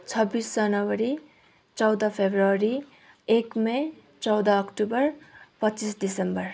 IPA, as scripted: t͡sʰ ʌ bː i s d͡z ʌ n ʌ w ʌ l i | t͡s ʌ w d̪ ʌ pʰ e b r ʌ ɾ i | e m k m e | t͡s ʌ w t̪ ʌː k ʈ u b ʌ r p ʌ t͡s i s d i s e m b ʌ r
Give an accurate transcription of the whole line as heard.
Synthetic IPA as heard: t͡sʰ ʌ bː i s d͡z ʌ n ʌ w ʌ ɾ i | t͡s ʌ w d̪ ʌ pʰ e b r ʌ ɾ i | e k m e | t͡s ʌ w d̪ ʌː k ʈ u b ʌ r p ʌ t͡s i s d i s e m b ʌ r

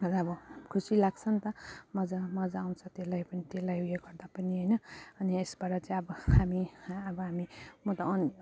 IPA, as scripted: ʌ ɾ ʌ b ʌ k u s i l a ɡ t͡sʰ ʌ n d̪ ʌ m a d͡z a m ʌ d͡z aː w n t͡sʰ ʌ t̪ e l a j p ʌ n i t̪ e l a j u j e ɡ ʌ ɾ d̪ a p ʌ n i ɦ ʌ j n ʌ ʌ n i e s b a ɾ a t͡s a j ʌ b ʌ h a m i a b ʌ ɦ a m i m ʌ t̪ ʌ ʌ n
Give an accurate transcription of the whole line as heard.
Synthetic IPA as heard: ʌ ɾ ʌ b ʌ kʰ u s i l a ɡ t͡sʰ ʌ n t̪ ʌ m ʌ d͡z a m ʌ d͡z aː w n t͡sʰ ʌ t̪ e l a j p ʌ n i t̪ e l a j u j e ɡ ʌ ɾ d̪ a p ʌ n i ɦ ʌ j n ʌ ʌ n i e s b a ɾ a t͡s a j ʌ b ʌ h a m i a b ʌ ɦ a m i m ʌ t̪ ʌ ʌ n

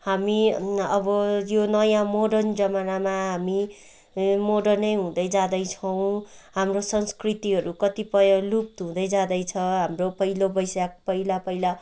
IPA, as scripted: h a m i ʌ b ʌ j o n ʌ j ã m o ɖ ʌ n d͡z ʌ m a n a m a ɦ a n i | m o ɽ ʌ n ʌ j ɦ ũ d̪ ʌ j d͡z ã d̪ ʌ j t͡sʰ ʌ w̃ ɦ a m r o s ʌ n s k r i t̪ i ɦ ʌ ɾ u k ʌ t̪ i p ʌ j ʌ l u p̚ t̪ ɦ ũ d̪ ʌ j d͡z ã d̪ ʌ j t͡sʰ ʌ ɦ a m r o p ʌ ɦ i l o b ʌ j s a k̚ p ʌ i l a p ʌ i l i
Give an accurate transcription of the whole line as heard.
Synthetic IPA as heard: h a m i ʌ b ʌ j o n ʌ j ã m o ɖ ʌ n d͡z ʌ m a n a m a ɦ a m i | m o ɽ ʌ n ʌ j ɦ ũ d̪ ʌ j d͡z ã d̪ ʌ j t͡sʰ ʌ w̃ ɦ a m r o s ʌ n s k r i t̪ i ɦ ʌ ɾ u k ʌ t̪ i p ʌ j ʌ l u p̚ t̪ ɦ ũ d̪ ʌ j d͡z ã d̪ ʌ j t͡sʰ ʌ ɦ a m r o p ʌ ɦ i l o b ʌ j s a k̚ p ʌ i l a p ʌ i l a

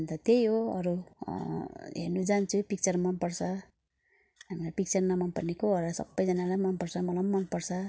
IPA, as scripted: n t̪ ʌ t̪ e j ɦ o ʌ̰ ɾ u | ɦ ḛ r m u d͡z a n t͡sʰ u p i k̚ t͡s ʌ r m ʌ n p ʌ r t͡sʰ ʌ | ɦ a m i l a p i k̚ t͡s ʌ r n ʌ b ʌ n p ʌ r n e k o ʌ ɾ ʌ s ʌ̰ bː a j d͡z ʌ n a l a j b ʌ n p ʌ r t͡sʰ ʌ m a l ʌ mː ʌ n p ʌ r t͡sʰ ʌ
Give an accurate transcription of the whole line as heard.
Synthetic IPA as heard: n t̪ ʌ t̪ e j ɦ o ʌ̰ ɾ u | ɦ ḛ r n u d͡z a n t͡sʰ u p i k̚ t͡s ʌ r m ʌ n p ʌ r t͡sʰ ʌ | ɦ a m i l a p i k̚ t͡s ʌ r n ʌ m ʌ n p ʌ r n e k o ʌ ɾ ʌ s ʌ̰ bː ʌ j d͡z ʌ n a l a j m ʌ n p ʌ r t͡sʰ ʌ m ʌ l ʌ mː ʌ n p ʌ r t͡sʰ ʌ

